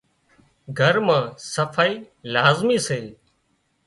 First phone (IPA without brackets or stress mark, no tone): ɡʱ